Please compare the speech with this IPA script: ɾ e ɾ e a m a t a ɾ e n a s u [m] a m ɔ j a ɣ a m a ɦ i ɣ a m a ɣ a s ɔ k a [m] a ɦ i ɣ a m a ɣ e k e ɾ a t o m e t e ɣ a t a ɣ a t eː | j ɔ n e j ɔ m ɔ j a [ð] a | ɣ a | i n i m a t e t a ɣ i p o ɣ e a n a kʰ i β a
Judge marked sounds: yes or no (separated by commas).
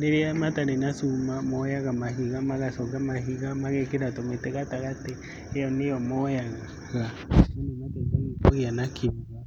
yes, yes, no